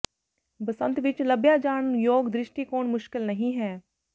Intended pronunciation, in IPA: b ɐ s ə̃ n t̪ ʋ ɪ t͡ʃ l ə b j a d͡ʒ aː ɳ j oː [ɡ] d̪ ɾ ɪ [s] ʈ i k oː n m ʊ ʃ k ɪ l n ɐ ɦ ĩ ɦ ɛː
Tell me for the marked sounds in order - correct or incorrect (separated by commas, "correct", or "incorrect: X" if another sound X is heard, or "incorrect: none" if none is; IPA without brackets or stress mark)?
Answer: correct, incorrect: ʃ